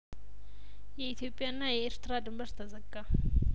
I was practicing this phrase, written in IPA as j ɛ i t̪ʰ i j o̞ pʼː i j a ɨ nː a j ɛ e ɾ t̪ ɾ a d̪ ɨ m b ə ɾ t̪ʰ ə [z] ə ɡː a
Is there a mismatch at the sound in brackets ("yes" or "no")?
no